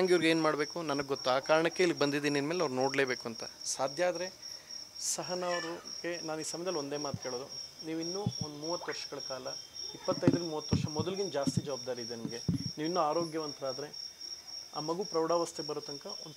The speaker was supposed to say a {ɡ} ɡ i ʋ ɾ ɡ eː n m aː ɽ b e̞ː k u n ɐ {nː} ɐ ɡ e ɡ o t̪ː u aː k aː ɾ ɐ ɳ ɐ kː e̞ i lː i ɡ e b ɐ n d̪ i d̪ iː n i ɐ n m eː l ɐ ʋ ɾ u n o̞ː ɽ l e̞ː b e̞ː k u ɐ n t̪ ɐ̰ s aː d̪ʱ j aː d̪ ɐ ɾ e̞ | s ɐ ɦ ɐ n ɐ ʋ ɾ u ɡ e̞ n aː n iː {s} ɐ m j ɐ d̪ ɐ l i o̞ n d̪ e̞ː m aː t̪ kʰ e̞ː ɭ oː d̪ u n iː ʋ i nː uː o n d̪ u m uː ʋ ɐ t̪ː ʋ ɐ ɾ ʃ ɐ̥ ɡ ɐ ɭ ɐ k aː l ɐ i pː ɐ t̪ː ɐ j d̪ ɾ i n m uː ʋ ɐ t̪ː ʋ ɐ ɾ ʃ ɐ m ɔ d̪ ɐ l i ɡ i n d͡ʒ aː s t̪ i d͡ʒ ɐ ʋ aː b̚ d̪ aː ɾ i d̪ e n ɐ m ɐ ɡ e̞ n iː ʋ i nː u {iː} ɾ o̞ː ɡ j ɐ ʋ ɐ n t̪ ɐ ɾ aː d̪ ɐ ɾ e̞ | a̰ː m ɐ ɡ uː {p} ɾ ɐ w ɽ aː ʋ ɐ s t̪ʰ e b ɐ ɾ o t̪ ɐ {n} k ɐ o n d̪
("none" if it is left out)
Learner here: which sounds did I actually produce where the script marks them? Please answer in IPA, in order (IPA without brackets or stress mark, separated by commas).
ŋ, n, s, aː, p, ŋ